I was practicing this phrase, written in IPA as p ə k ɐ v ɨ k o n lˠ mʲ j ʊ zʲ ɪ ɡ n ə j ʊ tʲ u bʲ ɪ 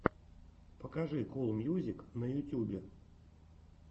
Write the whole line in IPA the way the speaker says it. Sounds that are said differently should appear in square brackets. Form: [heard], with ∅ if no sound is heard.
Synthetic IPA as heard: p ə k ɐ [ʐ] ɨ k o [∅] lˠ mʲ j [u] zʲ ɪ [k] n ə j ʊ tʲ u bʲ ɪ